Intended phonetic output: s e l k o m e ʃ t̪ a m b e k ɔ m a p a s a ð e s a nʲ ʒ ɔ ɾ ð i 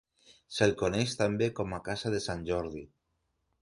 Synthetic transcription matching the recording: s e l k o n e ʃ t̪ a m b e k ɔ m a k a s a ð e s a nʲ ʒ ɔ ɾ ð i